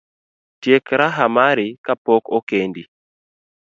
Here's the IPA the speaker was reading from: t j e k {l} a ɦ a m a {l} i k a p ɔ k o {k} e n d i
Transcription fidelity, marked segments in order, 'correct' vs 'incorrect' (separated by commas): incorrect, incorrect, correct